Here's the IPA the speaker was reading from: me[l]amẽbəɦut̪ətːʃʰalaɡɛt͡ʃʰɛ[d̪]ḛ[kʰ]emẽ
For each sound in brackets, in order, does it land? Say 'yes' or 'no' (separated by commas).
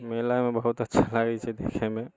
yes, yes, yes